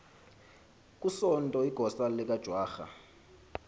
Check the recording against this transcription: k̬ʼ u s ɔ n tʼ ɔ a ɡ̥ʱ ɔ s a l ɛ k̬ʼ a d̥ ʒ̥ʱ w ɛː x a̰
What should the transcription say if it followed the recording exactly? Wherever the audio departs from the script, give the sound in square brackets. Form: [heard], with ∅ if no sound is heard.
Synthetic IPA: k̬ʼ u s ɔ n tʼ ɔ [i] ɡ̥ʱ ɔ s a l ɛ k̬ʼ a d̥ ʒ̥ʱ w [aː] x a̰

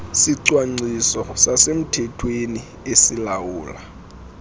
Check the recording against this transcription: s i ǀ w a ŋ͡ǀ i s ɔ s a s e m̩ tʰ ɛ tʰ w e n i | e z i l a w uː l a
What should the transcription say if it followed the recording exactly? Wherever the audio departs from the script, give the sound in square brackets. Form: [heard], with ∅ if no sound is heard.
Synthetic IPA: s i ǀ w a ŋ͡ǀ i s ɔ s a s e m̩ tʰ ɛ tʰ w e n i | e [s] i l a w uː l a

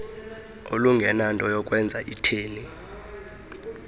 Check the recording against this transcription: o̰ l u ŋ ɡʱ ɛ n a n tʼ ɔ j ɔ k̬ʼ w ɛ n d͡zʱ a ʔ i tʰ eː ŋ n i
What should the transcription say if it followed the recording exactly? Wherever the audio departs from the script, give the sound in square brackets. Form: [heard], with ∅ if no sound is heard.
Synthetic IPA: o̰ l u ŋ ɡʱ ɛ n a n tʼ ɔ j ɔ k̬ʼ w ɛ n d͡zʱ a ʔ i tʰ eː [∅] n i

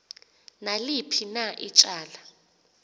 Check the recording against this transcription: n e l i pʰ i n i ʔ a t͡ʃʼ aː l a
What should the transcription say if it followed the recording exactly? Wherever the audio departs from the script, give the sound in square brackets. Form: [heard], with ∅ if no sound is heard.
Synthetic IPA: n [a] l i pʰ i n [a] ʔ [i] t͡ʃʼ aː l a

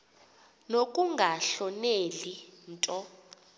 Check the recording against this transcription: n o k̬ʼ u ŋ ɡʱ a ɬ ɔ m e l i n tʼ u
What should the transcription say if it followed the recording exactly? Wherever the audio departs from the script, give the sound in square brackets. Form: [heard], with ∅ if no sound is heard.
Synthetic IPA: n o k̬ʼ u ŋ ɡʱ a ɬ ɔ [n] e l i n tʼ [ɔ]

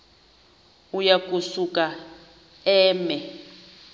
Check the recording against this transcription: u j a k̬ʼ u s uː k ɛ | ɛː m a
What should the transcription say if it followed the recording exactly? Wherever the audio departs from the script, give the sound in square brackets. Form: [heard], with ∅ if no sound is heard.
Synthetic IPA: u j a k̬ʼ u s [u] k [a] | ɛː m [ɛ]

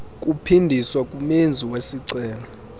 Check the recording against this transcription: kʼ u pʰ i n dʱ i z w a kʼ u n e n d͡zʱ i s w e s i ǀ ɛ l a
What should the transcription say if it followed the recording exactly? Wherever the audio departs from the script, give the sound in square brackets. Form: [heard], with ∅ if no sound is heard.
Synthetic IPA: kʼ u pʰ i n dʱ i [s] w a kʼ u [m] e n d͡zʱ i [∅] w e s i ǀ [ɛː] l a

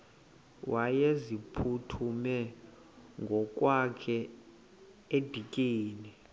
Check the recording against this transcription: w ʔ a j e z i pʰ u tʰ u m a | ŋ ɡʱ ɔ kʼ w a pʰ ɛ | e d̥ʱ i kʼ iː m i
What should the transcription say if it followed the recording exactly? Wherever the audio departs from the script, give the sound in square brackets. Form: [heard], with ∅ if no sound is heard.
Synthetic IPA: w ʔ a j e z i pʰ u tʰ u m [ɛ] | ŋ ɡʱ ɔ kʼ w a [kʰ] ɛ | e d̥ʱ i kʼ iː [n] i

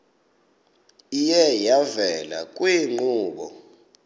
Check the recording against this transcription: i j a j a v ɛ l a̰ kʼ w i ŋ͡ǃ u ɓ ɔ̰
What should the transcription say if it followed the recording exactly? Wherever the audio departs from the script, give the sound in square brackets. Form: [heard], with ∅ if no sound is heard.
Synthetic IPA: i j [ɛ] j a v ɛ l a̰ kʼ w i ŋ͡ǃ [uː] ɓ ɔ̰

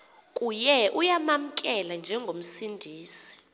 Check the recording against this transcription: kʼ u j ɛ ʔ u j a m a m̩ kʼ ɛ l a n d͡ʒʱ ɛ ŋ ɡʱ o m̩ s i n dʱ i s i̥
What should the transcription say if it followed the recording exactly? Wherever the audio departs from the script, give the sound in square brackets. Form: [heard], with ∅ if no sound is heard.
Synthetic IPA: kʼ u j ɛ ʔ u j a m a m̩ kʼ ɛ l a n d͡ʒʱ ɛ ŋ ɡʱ o m̩ s i n dʱ [iː] s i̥

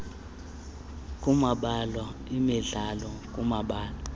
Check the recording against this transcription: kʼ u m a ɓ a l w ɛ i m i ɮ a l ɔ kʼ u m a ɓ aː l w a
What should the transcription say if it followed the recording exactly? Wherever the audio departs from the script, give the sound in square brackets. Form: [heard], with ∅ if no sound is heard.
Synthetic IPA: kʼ u m a ɓ a l w [a] i m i ɮ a l ɔ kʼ u m a ɓ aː l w a

